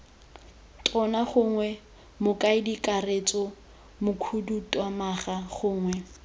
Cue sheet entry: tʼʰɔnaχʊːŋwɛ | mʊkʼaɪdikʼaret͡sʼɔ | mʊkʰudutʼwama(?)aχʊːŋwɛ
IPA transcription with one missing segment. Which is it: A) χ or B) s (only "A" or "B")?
A